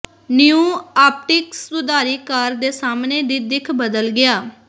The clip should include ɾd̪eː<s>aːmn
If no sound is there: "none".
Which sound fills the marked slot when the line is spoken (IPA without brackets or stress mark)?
s